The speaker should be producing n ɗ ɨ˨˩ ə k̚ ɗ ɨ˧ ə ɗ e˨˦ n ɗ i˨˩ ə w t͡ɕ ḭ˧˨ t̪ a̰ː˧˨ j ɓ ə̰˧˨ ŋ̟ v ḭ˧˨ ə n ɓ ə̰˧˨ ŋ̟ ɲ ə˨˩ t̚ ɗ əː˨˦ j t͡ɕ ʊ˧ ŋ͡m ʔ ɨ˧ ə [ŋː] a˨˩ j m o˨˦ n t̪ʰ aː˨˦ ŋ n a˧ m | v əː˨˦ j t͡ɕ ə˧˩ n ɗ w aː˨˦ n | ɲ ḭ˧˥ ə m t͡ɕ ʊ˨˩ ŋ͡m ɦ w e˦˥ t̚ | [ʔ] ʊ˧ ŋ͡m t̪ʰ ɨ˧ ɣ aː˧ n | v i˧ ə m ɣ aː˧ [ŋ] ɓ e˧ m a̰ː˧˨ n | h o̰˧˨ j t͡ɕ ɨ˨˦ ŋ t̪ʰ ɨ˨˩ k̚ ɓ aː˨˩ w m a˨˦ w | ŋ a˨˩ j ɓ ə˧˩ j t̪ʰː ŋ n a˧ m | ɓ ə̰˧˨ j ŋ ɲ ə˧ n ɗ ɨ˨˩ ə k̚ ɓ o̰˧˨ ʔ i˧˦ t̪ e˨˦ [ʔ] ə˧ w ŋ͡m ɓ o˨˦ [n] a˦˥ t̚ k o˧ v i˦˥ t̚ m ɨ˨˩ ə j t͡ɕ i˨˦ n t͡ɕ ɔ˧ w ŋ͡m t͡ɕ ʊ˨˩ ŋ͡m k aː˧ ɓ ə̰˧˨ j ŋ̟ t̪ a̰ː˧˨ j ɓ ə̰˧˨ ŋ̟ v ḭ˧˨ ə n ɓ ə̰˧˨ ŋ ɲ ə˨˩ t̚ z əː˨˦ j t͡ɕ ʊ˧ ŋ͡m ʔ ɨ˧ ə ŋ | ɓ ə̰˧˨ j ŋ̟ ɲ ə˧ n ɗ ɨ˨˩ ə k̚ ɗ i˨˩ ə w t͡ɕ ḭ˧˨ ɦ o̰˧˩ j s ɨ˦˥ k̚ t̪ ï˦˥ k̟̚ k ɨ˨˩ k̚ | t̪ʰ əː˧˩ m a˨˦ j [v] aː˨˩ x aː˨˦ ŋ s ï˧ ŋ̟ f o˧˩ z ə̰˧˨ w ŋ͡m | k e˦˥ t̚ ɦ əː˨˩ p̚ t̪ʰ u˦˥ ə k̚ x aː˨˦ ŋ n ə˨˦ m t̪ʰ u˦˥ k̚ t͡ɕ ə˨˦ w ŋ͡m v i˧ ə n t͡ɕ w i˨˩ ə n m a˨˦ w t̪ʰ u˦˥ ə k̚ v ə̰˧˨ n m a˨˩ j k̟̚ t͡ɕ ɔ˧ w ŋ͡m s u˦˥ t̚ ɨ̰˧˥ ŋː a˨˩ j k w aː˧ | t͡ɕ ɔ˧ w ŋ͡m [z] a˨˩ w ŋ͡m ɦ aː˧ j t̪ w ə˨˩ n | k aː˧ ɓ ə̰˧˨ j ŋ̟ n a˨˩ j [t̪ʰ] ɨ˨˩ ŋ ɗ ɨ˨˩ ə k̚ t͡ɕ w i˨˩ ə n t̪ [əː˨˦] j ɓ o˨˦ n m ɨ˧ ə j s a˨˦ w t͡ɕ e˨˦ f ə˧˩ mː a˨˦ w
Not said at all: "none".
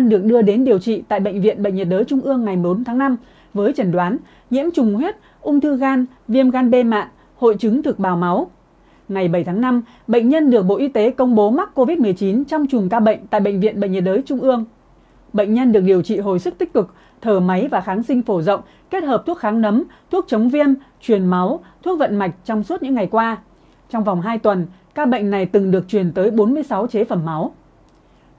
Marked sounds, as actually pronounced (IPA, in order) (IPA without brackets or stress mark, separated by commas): ŋː, ʔ, n, k, m, v, v, t̪, əː˨˦